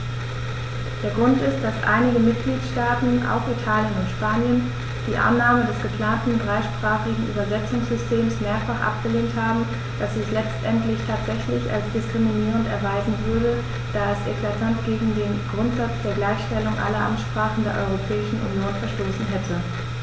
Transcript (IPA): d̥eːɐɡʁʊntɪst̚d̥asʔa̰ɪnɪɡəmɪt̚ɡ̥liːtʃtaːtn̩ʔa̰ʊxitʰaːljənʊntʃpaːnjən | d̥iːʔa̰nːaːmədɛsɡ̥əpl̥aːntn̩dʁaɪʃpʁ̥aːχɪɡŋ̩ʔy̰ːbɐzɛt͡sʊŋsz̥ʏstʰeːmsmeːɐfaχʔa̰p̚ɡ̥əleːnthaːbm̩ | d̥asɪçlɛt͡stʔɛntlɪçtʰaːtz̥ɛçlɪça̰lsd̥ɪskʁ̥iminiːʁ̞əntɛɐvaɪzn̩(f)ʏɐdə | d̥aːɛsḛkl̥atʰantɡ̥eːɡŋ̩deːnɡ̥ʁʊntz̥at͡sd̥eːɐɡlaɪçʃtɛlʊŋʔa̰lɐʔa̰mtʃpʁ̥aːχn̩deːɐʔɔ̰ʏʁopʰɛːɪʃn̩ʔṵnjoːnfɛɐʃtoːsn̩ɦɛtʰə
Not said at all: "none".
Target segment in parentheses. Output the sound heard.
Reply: v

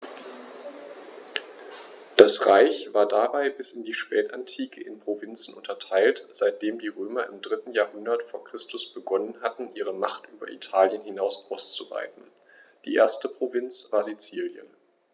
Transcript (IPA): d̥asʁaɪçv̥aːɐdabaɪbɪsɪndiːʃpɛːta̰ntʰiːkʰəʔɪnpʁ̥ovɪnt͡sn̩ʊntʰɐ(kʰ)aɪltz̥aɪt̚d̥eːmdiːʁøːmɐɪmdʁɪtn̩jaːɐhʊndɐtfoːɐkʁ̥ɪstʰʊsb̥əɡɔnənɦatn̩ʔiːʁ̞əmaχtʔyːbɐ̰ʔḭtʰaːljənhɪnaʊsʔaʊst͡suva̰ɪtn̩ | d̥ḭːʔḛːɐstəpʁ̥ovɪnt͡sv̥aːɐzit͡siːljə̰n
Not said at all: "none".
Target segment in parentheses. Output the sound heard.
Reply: tʰ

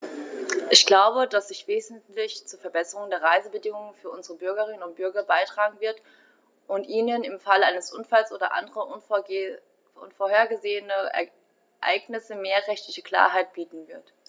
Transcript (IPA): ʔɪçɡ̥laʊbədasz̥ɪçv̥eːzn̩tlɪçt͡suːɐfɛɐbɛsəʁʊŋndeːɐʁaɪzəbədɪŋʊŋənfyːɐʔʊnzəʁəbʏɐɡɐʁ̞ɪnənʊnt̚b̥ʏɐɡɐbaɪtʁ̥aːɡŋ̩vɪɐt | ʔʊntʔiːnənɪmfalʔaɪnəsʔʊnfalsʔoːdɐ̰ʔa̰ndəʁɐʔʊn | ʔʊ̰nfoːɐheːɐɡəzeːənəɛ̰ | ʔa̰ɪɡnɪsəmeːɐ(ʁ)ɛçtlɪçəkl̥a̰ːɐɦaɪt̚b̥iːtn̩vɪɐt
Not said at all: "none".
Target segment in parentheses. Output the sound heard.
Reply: ʁ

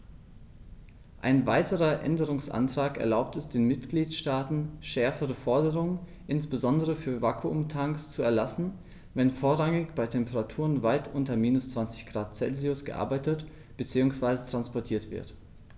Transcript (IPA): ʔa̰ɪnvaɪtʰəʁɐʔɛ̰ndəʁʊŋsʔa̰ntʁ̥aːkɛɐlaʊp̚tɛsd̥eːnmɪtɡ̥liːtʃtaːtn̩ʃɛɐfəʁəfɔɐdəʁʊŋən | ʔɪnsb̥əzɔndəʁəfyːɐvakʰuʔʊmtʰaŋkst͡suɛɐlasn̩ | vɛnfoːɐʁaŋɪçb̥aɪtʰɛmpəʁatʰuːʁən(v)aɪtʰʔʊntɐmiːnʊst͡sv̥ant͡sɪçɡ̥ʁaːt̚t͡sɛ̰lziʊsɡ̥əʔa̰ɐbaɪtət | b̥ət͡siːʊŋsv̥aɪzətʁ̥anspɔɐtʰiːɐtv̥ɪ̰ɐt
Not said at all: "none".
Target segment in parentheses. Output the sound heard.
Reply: v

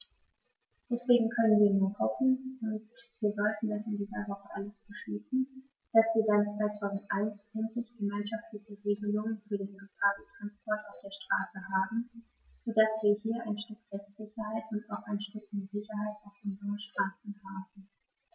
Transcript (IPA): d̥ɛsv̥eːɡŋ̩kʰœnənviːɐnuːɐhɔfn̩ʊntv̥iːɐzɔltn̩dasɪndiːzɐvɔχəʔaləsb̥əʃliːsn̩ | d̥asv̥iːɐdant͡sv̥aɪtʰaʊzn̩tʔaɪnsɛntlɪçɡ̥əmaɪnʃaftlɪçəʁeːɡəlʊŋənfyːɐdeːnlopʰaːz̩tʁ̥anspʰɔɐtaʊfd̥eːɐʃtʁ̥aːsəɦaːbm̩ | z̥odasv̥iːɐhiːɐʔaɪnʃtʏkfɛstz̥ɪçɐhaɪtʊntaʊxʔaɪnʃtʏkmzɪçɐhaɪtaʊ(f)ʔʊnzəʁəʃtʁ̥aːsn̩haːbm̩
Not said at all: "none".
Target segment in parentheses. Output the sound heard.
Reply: f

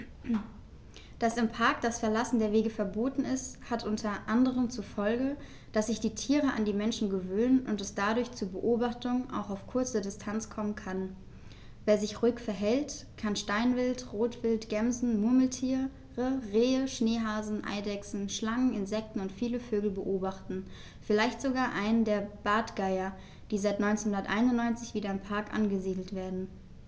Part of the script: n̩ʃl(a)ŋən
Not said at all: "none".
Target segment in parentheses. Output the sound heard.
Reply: a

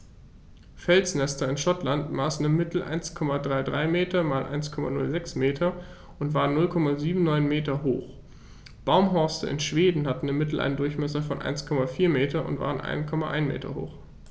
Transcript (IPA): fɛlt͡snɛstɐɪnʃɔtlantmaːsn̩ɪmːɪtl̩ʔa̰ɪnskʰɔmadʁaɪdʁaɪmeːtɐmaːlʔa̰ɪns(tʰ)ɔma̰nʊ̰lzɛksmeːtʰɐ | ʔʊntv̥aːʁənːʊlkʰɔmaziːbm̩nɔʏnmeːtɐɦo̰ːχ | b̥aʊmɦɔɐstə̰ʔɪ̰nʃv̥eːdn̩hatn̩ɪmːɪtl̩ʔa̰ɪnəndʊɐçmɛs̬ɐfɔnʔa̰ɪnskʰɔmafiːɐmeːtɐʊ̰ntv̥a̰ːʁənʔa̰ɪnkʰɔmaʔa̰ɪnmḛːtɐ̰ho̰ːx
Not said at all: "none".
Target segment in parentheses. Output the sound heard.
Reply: kʰ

